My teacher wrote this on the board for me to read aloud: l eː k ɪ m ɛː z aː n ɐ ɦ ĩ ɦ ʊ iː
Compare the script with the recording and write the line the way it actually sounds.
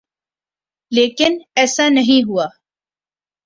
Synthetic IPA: l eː k ɪ n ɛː s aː n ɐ ɦ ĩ ɦ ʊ aː